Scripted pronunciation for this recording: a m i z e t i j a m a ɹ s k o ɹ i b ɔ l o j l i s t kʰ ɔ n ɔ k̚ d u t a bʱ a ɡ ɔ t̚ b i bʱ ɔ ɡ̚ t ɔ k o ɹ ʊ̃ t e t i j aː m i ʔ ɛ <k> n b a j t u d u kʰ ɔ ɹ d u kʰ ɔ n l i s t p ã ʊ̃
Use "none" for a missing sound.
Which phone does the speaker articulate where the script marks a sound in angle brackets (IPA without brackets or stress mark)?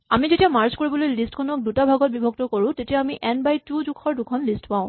none